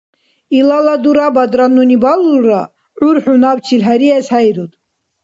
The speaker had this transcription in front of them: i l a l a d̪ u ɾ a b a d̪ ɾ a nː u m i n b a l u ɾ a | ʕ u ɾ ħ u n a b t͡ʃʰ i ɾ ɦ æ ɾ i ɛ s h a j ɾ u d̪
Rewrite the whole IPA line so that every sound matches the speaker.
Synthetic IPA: i l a l a d̪ u ɾ a b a d̪ ɾ a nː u n i b a l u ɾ a | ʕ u ɾ ħ u n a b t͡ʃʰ i l ɦ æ ɾ i ɛ s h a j ɾ u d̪